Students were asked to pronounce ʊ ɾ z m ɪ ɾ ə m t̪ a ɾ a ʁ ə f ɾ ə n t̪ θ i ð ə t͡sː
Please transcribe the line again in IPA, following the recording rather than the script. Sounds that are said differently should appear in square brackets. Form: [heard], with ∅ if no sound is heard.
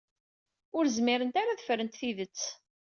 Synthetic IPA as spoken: ʊ ɾ z m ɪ ɾ ə [n] t̪ a ɾ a [ð] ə f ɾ ə n t̪ θ i ð ə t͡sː